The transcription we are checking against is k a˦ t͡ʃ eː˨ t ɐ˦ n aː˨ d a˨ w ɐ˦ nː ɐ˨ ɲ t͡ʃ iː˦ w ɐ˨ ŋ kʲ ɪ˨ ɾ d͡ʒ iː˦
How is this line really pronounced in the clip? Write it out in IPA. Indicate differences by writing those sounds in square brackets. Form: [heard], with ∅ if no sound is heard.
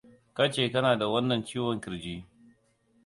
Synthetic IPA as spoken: k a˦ t͡ʃ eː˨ [k] ɐ˦ n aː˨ d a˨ w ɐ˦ nː ɐ˨ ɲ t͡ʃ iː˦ w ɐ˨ ŋ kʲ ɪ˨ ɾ d͡ʒ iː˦